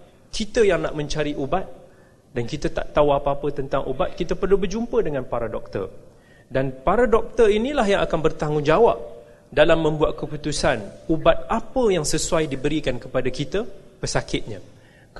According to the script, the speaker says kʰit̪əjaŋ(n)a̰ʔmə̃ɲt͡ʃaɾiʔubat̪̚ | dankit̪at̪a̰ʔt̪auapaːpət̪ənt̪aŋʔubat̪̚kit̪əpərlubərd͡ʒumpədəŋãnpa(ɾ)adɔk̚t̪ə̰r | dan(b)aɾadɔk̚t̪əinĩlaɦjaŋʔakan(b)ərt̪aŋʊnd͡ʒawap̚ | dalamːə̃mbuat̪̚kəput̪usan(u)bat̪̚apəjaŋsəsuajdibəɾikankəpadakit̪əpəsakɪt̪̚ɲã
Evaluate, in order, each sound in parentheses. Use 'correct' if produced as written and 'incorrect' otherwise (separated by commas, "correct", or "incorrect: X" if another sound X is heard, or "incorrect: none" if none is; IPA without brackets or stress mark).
correct, correct, incorrect: p, correct, correct